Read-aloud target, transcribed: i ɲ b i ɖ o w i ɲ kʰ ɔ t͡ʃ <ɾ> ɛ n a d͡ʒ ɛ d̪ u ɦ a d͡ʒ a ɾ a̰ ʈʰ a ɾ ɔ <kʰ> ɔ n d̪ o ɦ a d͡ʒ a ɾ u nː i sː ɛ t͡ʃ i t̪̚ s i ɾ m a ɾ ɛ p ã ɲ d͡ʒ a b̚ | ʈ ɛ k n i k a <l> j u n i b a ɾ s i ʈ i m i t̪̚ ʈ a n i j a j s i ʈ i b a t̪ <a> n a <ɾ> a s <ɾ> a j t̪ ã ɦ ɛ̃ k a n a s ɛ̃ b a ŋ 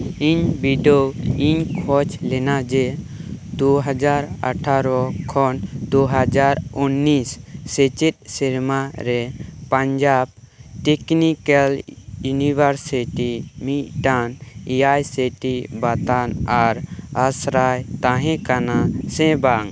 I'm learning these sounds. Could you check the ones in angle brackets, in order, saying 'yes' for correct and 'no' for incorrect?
no, yes, yes, yes, yes, yes

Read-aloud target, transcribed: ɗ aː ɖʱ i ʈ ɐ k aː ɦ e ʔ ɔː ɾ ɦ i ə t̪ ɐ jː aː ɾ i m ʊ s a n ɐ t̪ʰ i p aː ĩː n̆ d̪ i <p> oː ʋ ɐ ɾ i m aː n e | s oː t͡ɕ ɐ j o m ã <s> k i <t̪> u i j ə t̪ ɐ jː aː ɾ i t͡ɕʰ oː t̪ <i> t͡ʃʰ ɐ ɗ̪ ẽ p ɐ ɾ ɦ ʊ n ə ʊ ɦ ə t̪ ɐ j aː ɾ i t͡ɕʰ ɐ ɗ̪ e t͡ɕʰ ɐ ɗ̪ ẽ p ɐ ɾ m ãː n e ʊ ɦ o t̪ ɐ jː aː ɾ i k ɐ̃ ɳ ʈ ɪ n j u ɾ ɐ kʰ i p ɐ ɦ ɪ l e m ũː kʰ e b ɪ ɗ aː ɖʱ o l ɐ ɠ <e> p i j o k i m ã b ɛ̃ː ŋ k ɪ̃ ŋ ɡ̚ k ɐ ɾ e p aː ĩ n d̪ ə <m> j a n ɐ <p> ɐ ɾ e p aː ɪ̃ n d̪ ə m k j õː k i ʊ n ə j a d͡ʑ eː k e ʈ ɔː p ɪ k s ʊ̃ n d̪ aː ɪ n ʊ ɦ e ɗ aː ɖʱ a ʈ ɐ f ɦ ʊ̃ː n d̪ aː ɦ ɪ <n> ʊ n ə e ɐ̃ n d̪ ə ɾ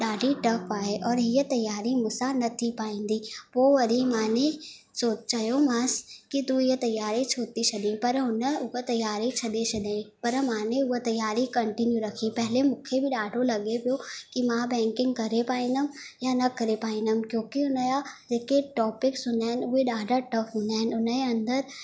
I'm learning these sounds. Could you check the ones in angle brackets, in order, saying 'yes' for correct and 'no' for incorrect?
yes, yes, yes, yes, yes, yes, no, yes

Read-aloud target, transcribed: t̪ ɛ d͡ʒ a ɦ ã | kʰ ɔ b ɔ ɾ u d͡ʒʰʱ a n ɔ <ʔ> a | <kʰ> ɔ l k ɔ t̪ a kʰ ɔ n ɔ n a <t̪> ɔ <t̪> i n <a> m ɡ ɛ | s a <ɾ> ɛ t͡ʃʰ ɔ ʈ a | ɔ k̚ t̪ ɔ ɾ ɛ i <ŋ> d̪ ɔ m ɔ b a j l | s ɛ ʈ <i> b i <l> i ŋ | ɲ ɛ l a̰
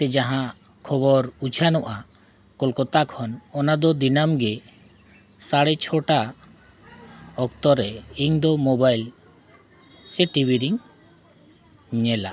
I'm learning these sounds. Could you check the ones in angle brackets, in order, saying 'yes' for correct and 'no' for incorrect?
yes, no, no, no, yes, no, yes, yes, no

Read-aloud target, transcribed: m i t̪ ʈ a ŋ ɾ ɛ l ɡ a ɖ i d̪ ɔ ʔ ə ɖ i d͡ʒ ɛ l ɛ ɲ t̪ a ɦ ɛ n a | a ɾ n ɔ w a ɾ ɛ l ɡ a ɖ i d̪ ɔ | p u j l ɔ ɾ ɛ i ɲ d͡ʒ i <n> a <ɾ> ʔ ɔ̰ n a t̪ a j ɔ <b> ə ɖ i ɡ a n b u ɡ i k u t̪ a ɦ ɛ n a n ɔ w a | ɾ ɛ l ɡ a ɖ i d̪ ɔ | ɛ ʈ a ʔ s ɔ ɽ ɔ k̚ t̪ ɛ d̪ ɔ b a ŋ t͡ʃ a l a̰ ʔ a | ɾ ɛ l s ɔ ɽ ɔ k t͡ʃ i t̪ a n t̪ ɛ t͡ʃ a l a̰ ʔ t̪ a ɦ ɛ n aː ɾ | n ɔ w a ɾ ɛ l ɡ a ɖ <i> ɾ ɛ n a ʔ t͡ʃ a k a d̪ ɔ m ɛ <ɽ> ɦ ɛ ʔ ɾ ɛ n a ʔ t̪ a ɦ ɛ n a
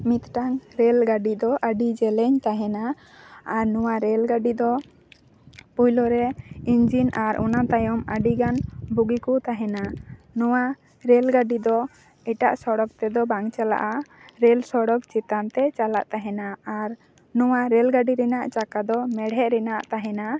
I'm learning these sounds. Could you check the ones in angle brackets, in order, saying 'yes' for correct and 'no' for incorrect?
yes, yes, no, yes, yes

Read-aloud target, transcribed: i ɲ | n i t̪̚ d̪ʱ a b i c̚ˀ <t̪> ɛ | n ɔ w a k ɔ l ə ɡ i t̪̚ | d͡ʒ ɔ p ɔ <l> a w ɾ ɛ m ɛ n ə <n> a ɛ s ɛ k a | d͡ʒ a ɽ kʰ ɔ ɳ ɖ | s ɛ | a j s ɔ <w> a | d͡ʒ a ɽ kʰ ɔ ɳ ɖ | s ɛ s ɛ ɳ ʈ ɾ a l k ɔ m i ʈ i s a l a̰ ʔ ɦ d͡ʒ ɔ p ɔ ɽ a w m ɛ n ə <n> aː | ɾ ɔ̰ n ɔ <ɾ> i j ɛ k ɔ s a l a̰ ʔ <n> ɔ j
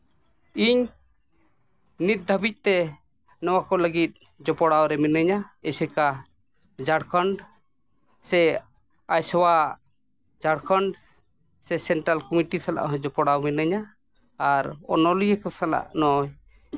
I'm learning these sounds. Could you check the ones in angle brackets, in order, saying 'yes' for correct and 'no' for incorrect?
yes, no, no, yes, no, no, yes

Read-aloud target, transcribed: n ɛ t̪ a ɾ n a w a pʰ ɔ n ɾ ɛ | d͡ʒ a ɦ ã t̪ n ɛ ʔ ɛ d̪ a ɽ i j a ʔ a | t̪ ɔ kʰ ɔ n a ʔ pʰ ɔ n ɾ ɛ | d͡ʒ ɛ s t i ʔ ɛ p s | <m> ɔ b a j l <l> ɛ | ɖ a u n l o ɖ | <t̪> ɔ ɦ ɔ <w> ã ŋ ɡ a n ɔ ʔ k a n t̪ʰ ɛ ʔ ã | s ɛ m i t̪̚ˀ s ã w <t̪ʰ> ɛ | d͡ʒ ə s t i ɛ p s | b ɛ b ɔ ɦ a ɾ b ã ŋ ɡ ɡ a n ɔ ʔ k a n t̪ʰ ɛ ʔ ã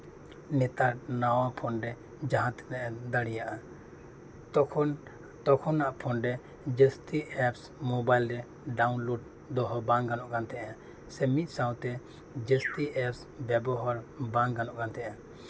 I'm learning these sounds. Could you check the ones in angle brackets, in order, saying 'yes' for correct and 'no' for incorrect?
yes, no, no, no, no

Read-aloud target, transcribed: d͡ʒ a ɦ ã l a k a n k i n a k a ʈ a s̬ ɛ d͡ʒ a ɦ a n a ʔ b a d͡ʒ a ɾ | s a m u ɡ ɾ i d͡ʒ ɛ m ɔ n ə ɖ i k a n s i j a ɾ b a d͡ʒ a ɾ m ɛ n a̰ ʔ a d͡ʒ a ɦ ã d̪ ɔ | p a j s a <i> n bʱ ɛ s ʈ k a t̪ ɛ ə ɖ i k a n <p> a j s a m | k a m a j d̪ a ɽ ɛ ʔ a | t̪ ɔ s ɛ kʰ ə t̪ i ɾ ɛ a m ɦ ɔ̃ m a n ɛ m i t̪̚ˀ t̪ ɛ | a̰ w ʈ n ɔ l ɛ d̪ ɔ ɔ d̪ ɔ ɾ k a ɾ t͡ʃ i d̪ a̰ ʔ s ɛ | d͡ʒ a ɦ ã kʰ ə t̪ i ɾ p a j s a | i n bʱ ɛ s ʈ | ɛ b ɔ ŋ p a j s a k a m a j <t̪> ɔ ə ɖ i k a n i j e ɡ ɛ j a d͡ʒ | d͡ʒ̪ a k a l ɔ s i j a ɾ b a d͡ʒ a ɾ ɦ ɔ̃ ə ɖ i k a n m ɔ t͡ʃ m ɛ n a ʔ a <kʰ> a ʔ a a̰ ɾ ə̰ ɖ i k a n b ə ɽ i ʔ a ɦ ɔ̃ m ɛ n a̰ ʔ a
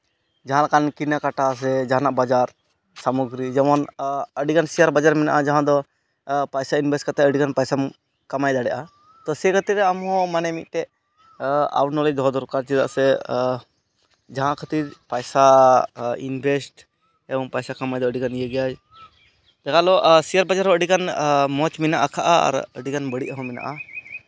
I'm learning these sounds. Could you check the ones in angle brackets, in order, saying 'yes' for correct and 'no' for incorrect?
yes, yes, no, yes

